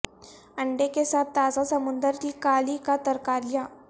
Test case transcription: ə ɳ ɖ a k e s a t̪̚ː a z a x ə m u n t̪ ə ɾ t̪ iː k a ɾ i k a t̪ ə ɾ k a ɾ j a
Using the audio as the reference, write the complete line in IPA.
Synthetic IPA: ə ɳ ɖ e k e s a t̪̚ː a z a s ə m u n d̪ ə ɾ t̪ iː k a l i k a t̪ ə ɾ k a ɾ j a

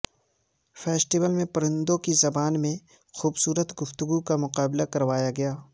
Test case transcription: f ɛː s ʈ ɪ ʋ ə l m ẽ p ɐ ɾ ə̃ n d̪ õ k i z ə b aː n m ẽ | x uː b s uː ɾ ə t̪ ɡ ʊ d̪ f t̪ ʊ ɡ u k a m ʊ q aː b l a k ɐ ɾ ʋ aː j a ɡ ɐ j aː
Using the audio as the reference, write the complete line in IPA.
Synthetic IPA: f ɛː s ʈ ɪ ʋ ə l m ẽ p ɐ ɾ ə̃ n d̪ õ k i z ɐ b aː n m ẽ | x uː b s uː ɾ ə t̪ ɡ ʊ f t̪ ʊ ɡ u k a m ʊ q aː b l a k ɐ ɾ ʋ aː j a ɡ ɐ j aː

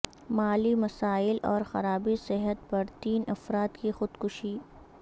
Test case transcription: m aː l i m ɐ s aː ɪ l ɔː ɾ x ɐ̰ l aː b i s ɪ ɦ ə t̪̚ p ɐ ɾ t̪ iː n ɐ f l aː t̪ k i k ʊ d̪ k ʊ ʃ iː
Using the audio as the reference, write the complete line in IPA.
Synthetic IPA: m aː l i m ɐ s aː ɪ l ɔː ɾ x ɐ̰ ɾ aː b i s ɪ ɦ ə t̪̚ p ɐ ɾ t̪ iː n ɐ f ɾ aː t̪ k i x ʊ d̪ k ʊ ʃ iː

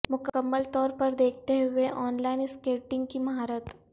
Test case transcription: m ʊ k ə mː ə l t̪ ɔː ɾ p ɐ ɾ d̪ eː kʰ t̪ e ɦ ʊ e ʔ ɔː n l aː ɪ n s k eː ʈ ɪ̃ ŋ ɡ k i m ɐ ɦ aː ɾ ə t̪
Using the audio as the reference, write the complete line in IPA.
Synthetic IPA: m ʊ k ə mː ə l t̪ ɔː ɾ p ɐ ɾ d̪ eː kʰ t̪ e ɦ ʊ e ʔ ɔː n l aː ɪ n s k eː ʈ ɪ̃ ŋ ɡ k i m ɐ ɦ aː ɾ ə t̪

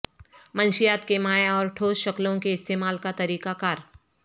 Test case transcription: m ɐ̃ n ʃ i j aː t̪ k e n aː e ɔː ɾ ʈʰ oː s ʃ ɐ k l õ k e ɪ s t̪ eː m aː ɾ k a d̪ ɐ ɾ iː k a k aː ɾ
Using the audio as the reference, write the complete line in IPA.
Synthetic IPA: m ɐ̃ n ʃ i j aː t̪ k e m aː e ɔː ɾ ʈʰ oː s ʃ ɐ k l õ k e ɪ s t̪ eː m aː l k a t̪ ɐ ɾ iː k a k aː ɾ

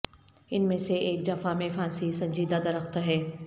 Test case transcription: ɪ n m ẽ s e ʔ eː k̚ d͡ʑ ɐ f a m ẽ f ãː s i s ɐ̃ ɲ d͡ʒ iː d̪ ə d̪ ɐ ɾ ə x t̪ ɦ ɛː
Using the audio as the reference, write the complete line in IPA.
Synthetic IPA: ɪ n m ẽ s e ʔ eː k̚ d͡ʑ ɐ f a m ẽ f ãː s i s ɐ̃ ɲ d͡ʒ iː d̪ a d̪ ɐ ɾ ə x t̪ ɦ ɛː

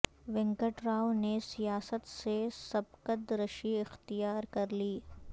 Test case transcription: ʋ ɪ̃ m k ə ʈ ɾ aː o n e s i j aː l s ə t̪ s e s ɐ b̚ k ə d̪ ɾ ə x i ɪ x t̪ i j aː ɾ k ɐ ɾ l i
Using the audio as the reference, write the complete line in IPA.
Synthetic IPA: ʋ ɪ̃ ŋ k ə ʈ ɾ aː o n e s i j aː s ə t̪ s e s ɐ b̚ k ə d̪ ɾ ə ʃ i ɪ x t̪ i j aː ɾ k ɐ ɾ l iː

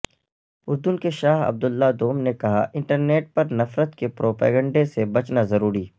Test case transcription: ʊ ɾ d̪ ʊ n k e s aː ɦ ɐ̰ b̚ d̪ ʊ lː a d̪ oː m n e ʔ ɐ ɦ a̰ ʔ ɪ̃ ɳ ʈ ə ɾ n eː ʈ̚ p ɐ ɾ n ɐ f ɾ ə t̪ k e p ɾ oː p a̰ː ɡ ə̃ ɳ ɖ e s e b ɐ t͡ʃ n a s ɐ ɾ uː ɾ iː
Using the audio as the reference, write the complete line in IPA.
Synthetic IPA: ʊ ɾ d̪ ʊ n k e ʃ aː ɦ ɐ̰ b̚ d̪ ʊ lː a d̪ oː m n e k ɐ ɦ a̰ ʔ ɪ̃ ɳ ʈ ə ɾ n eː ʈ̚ p ɐ ɾ n ɐ f ɾ ə t̪ k e p ɾ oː p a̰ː ɡ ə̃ ɳ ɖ e s e b ɐ t͡ʃ n a z ɐ ɾ uː ɾ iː

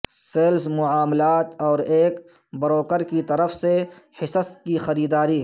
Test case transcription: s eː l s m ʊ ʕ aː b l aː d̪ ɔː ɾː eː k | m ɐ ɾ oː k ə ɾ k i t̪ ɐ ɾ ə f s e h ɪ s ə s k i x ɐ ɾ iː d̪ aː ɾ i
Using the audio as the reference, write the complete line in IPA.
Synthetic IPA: s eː l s m ʊ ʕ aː m l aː t̪ ɔː ɾ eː k | b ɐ ɾ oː k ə ɾ k i t̪ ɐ ɾ ə f s e h ɪ s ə s k i x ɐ ɾ iː d̪ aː ɾ i

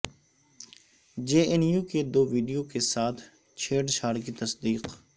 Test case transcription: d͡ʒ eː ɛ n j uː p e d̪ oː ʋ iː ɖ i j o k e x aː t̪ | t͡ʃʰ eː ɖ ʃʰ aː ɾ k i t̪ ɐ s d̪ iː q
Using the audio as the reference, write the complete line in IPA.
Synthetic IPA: d͡ʒ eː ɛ n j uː k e d̪ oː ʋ iː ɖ i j o k e s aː t̪ʰ | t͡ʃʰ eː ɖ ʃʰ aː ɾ k i t̪ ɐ s d̪ iː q

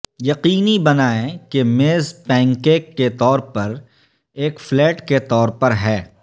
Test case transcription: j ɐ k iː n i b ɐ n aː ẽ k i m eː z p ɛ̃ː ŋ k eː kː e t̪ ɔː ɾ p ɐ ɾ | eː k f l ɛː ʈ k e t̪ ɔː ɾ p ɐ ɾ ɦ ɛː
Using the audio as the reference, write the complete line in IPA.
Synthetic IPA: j ɐ q iː n i b ɐ n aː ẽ k e m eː z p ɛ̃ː ŋ k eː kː e t̪ ɔː ɾ p ɐ ɾ | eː k f l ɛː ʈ k e t̪ ɔː ɾ p ɐ ɾ ɦ ɛː

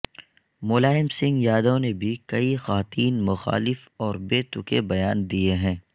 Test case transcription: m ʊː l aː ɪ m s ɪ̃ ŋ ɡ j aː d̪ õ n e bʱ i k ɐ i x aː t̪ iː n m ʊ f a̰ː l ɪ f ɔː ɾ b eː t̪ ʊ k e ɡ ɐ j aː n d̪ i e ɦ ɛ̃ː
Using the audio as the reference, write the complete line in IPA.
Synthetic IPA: m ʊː l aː ɪ m s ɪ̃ ŋ ɡ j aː d̪ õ n e bʱ i k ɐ i x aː t̪ iː n m ʊ x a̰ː l ɪ f ɔː ɾ b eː t̪ ʊ k e b ɐ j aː n d̪ i e ɦ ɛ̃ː

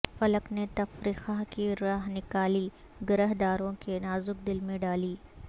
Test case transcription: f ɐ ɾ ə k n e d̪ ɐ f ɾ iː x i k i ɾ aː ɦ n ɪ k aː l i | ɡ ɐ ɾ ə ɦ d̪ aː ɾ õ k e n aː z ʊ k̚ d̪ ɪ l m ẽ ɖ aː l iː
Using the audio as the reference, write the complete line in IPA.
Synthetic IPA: f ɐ l ə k n e t̪ ɐ f ɾ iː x a k i ɾ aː ɦ n ɪ k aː l i | ɡ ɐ ɾ ə ɦ d̪ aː ɾ õ k e n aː z ʊ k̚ d̪ ɪ l m ẽ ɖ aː l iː

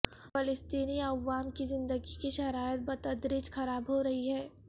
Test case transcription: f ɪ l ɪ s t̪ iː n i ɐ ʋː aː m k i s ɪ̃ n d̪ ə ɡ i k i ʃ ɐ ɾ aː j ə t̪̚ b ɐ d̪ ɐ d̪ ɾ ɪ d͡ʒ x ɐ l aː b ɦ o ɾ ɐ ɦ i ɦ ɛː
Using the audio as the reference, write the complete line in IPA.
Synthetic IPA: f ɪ l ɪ s t̪ iː n i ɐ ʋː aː m k i z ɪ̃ n d̪ ə ɡ i k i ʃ ɐ ɾ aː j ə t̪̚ b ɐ t̪ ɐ d̪ ɾ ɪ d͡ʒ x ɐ ɾ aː b ɦ o ɾ ɐ ɦ i ɦ ɛː

